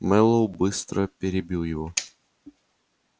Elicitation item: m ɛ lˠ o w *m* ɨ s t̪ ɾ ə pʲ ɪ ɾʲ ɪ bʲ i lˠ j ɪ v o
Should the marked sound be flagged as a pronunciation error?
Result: yes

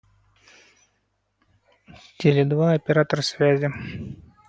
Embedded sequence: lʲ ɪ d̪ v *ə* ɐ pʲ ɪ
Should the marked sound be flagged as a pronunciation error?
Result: yes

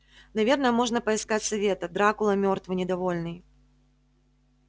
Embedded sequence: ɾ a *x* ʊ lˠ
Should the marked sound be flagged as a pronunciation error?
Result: yes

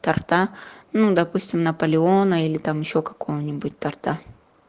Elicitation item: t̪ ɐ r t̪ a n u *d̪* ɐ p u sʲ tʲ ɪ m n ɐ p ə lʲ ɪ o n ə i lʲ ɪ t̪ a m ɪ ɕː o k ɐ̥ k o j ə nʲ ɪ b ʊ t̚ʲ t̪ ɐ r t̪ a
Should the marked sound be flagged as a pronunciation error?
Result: no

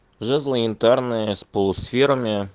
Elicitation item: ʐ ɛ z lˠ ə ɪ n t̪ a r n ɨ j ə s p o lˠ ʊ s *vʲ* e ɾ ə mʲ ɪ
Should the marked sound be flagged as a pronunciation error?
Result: yes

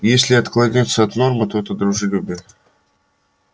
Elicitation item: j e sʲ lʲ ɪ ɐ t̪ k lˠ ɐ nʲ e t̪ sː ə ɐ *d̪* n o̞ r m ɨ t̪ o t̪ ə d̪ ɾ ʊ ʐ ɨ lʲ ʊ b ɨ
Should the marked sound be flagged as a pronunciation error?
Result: yes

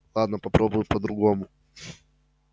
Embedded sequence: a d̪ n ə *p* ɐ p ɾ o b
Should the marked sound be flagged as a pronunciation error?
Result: no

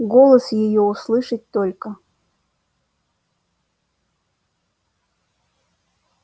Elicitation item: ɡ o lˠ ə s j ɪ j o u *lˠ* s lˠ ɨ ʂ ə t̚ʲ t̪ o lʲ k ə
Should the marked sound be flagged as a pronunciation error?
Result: yes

